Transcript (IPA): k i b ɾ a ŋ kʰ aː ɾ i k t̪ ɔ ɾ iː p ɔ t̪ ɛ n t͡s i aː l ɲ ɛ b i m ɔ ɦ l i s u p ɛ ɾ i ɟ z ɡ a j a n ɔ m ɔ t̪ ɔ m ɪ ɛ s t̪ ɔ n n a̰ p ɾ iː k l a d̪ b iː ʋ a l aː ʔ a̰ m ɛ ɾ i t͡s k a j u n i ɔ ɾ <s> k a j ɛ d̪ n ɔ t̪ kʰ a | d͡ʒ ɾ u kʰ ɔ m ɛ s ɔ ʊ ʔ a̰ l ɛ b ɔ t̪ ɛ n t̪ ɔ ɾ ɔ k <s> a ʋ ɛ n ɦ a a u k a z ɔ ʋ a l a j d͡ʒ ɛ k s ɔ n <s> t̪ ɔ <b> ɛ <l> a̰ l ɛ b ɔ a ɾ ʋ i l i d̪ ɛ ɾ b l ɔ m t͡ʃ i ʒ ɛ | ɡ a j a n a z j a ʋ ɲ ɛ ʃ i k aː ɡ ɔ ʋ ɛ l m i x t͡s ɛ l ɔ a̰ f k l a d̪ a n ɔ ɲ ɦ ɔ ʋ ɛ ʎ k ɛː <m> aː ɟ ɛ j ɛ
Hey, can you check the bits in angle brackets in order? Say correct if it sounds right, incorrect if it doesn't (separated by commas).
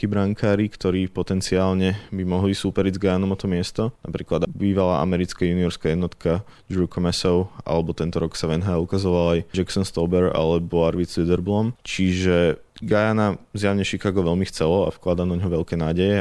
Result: correct, correct, correct, correct, incorrect, incorrect